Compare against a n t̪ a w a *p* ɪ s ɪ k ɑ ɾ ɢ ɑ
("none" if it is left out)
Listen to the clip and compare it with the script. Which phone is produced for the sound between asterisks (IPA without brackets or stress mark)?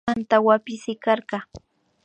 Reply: p